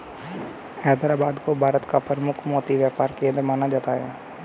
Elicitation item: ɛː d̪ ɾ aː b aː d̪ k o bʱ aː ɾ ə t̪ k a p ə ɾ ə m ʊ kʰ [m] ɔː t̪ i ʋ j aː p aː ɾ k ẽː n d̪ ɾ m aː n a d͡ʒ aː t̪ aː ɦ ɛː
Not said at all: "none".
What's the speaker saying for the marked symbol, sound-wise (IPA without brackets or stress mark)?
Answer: m